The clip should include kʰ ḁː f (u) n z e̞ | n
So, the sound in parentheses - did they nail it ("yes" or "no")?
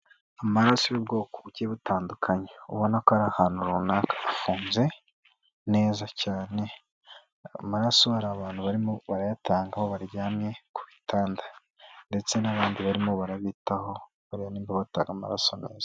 no